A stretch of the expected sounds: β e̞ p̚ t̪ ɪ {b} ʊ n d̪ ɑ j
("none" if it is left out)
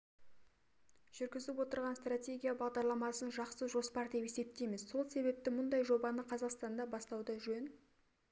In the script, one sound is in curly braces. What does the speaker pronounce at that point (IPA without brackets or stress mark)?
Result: m